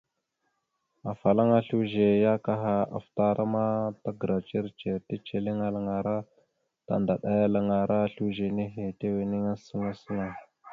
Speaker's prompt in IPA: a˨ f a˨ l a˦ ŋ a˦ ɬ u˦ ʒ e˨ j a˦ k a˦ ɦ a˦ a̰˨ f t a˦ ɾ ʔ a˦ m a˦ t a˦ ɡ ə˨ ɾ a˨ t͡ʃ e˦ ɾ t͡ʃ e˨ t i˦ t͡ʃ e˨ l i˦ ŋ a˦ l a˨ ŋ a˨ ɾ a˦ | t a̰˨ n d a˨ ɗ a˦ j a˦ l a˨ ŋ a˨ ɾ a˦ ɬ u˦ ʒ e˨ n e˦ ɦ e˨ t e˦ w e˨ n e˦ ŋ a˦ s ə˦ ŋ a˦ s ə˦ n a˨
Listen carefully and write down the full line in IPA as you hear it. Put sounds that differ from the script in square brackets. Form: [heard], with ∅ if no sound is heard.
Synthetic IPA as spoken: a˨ f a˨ l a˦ ŋ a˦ ɬ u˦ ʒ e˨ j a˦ k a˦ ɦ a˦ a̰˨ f t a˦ ɾ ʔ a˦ m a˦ t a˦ ɡ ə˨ ɾ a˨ t͡ʃ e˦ ɾ t͡ʃ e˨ t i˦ t͡ʃ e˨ l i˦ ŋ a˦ l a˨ ŋ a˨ ɾ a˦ | t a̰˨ n d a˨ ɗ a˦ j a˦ l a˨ ŋ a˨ ɾ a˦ ɬ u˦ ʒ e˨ n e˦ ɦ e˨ t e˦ w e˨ n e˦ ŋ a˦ s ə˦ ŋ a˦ s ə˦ n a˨